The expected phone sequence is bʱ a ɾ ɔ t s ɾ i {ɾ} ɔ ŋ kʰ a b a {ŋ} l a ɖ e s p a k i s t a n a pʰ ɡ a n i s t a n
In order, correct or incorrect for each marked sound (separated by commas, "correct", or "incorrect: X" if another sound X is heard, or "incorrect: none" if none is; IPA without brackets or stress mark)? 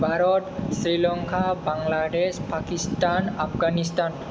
incorrect: l, correct